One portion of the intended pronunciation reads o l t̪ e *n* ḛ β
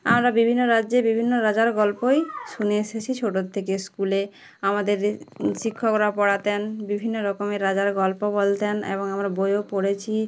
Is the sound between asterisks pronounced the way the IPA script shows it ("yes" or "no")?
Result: yes